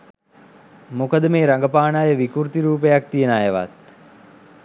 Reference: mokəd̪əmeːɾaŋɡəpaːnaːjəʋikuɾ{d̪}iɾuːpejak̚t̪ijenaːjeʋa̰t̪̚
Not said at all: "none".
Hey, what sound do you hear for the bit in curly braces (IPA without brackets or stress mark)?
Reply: t̪